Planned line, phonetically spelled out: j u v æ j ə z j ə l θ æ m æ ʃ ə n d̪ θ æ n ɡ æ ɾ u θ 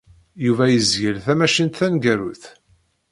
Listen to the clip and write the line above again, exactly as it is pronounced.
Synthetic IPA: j u v æ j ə z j ə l θ æ m æ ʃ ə n t̪ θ æ n ɡ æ ɾ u θ